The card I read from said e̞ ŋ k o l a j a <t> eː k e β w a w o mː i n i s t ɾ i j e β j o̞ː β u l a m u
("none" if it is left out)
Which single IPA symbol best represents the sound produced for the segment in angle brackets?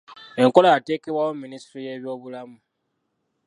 t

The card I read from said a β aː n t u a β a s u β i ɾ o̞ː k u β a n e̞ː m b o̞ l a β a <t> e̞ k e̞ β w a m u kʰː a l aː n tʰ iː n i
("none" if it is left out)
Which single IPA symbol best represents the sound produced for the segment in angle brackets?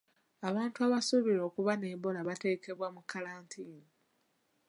t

